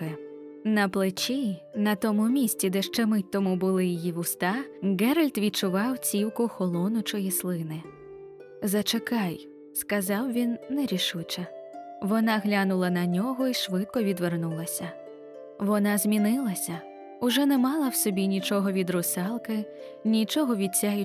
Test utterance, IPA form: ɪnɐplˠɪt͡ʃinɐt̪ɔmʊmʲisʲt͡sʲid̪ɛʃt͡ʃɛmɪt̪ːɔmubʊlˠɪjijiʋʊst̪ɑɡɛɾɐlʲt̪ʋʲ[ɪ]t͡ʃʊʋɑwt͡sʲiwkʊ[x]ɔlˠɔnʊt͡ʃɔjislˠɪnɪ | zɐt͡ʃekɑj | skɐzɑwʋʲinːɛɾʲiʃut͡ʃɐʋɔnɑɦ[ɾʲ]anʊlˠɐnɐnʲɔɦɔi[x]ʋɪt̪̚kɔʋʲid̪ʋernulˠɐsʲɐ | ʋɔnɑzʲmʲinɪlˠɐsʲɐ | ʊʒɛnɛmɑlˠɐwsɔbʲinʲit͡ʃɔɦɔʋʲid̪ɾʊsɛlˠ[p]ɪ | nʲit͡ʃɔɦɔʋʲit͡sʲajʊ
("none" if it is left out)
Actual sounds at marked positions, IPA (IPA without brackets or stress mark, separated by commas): i, x, lʲ, ʃ, k